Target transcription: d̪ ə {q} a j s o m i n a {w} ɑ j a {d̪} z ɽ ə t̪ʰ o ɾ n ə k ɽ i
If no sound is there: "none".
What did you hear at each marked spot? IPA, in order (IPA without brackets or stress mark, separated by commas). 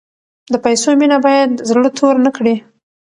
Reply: p, b, d̪